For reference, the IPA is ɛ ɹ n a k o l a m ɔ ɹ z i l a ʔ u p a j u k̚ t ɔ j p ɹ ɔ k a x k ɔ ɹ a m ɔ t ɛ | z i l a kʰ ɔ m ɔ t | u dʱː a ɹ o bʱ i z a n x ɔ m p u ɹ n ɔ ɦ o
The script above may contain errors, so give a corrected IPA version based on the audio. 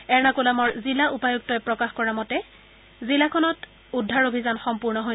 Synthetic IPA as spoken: ɛ ɹ n a k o l a m ɔ ɹ z i l a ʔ u p a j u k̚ t ɔ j p ɹ ɔ k a x k ɔ ɹ a m ɔ t ɛ | z i l a kʰ ɔ n ɔ t | u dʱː a ɹ o bʱ i z a n x ɔ m p u ɹ n ɔ ɦ o